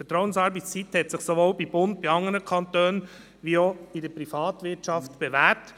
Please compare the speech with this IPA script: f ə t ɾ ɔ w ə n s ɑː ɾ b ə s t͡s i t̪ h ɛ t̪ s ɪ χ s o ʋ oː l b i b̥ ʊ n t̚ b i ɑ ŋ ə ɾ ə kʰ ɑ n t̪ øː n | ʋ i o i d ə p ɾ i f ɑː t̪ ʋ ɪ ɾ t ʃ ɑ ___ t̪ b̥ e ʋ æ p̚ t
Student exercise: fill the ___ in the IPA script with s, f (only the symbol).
f